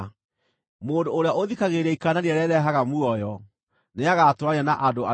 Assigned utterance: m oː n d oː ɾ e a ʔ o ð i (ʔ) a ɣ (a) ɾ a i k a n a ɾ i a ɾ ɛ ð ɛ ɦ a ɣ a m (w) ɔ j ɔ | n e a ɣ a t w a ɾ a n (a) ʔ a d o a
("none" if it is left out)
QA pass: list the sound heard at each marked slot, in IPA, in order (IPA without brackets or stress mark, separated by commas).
k, e, u, a